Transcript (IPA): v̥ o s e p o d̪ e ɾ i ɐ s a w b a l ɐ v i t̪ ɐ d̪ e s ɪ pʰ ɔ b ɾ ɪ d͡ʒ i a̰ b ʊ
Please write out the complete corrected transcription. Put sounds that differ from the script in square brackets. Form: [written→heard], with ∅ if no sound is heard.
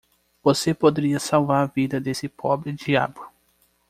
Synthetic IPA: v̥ o s e p o d̪ e ɾ i ɐ s a w [b→v] a [l→ɾ] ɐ v i [t̪→d̪] ɐ d̪ e s ɪ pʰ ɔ b ɾ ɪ d͡ʒ i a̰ b ʊ